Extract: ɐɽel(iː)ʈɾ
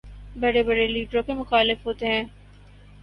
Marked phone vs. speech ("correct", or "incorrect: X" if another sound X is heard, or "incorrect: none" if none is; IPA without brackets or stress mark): correct